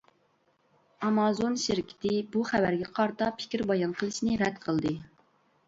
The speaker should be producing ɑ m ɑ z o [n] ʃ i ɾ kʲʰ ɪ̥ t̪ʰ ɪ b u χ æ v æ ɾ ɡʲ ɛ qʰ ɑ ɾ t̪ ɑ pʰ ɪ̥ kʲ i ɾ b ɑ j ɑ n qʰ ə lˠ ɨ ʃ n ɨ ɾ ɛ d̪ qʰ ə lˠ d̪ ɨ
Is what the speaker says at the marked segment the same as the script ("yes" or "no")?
yes